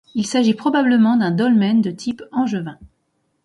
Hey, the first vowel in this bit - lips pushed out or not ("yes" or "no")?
no